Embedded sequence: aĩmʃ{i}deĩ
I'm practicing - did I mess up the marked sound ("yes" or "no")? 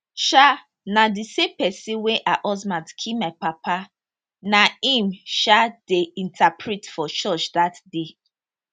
yes